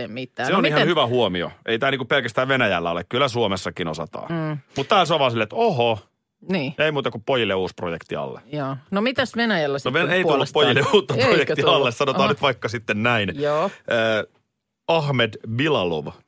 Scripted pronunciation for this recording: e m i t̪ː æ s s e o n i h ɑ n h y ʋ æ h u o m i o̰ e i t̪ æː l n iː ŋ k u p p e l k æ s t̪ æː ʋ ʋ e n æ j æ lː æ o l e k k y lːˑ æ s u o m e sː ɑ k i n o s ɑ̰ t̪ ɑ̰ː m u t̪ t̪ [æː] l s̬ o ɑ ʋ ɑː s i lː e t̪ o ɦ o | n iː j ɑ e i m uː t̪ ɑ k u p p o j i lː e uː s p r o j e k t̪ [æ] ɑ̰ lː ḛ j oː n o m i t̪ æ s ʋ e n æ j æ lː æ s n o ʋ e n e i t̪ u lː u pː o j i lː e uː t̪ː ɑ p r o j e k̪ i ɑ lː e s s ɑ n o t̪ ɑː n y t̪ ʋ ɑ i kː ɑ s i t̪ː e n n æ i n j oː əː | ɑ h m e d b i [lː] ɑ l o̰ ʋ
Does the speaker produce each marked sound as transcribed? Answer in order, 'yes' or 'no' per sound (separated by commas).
yes, no, no